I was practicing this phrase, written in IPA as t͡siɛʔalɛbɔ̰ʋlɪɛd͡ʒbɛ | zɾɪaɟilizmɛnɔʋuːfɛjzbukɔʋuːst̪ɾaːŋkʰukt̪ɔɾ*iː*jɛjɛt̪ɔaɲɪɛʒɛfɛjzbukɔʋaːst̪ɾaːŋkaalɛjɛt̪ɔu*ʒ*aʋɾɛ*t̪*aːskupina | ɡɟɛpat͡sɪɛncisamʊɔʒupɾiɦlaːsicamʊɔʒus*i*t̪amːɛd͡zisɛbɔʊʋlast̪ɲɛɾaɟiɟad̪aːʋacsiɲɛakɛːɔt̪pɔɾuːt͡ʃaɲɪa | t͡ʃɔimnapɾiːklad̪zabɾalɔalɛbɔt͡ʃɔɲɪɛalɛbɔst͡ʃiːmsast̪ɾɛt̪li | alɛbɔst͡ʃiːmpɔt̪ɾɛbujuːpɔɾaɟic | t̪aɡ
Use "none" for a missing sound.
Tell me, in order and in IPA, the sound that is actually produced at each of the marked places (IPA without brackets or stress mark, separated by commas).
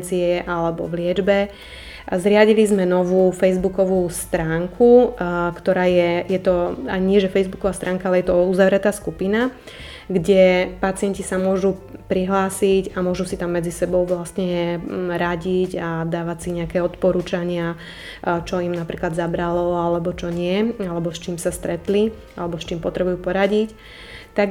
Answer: aː, z, t̪, i